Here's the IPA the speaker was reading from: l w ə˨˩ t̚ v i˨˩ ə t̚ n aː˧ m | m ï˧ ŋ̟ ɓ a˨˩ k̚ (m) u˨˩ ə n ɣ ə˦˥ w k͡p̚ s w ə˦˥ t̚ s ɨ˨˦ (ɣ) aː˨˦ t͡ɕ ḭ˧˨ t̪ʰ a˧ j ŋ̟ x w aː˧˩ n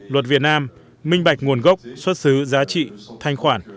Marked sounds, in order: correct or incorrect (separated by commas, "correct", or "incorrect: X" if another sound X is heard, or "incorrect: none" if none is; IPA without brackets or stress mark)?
incorrect: ŋ, incorrect: z